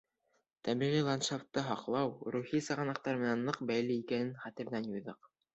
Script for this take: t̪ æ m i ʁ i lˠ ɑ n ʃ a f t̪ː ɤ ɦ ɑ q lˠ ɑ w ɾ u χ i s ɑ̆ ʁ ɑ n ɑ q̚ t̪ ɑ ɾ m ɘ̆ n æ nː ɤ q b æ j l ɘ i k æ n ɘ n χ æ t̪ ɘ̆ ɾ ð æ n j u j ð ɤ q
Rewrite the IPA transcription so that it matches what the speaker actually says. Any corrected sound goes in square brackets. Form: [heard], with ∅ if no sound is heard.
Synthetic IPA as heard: t̪ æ m i ʁ i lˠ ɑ n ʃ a f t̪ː ɤ ɦ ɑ q lˠ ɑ w ɾ u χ i s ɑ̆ ʁ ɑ n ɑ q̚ t̪ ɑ ɾ m ɘ̆ n æ nː ɤ q b æ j l ɘ i k æ n ɘ n χ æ t̪ ɘ̆ ɾ ð æ n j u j ð ɤ q